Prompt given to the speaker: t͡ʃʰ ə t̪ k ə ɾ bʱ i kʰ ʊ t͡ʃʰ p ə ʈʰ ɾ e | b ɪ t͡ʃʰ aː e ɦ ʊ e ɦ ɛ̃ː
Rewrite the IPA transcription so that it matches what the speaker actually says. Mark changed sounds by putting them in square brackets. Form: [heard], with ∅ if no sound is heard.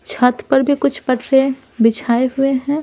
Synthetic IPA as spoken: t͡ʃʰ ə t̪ [p] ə ɾ bʱ i [k] ʊ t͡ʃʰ p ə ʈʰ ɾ e | b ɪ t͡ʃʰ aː e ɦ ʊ e ɦ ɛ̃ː